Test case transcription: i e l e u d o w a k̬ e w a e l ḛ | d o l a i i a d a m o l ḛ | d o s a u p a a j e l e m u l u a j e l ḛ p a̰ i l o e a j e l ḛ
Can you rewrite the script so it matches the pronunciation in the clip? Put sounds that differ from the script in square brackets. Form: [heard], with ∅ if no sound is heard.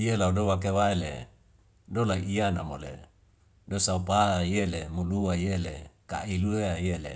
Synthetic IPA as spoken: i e l [a] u d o w a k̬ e w a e l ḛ | d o l a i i a [n] a m o l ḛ | d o s a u p a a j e l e m u l u a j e l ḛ [k] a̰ i l [u] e a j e l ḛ